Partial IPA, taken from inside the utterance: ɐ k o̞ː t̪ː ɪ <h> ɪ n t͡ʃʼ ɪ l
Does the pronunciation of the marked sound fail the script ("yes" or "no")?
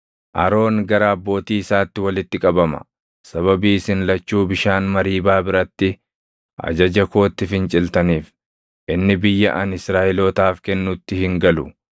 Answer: yes